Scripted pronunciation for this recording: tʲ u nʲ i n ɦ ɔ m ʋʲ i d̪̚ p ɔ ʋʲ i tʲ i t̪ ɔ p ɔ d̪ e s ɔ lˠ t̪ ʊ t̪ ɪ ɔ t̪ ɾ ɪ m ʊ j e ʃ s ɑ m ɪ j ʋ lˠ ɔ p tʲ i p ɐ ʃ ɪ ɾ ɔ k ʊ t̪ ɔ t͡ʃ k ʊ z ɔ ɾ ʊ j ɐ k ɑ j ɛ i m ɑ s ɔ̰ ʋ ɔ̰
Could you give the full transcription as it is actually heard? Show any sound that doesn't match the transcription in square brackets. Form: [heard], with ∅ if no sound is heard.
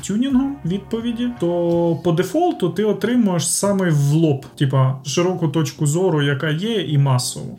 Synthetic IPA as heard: tʲ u nʲ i n ɦ ɔ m ʋʲ i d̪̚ p ɔ ʋʲ i [dʲ] i t̪ ɔ p ɔ d̪ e [f] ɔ lˠ t̪ ʊ t̪ ɪ ɔ t̪ ɾ ɪ m ʊ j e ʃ s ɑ m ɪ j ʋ lˠ ɔ p tʲ i p ɐ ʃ ɪ ɾ ɔ k ʊ t̪ ɔ t͡ʃ k ʊ z ɔ ɾ ʊ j ɐ k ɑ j ɛ i m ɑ s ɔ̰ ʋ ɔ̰